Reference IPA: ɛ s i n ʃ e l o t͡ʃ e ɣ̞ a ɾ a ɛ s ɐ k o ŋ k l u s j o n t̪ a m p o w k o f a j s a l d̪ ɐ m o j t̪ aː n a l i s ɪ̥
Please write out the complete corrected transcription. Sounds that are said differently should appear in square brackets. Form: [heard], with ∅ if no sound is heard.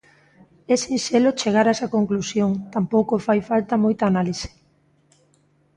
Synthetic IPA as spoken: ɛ s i n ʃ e l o t͡ʃ e ɣ̞ a ɾ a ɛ s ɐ k o ŋ k l u s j o [ŋ] t̪ a m p o w k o f a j [f] a l [t̪] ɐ m o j t̪ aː n a l i s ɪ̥